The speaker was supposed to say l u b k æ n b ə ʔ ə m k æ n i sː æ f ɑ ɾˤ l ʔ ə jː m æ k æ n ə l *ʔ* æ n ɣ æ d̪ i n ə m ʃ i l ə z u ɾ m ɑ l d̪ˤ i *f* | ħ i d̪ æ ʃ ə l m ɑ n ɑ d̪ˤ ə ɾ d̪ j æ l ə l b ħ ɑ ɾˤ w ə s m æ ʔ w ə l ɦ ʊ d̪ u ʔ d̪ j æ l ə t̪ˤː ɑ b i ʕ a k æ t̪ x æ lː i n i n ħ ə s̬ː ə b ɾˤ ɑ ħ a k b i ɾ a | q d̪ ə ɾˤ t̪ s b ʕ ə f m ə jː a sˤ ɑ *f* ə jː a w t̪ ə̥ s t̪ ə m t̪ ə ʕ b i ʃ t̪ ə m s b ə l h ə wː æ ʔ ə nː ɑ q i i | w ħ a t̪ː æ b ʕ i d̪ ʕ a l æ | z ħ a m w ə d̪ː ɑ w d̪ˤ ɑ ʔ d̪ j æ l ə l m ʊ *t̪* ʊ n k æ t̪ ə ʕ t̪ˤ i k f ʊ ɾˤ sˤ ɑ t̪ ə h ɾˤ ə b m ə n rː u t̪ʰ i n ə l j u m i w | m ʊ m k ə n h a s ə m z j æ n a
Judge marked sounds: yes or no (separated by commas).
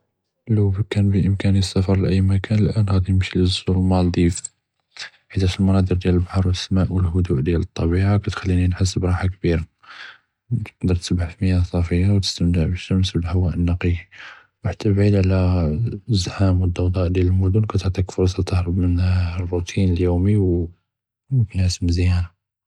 yes, yes, yes, no